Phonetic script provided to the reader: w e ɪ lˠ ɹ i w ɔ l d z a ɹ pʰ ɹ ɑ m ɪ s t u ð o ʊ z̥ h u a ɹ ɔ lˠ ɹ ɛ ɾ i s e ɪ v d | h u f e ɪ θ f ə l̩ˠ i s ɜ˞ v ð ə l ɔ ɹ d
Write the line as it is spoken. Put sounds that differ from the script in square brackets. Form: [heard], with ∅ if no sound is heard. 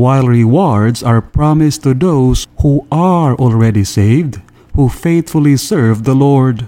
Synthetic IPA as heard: w [a] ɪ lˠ ɹ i w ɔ [ɹ] d z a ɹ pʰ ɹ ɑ m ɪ s t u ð o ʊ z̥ h u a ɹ ɔ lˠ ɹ ɛ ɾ i s e ɪ v d | h u f e ɪ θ f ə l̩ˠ i s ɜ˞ v ð ə l ɔ ɹ d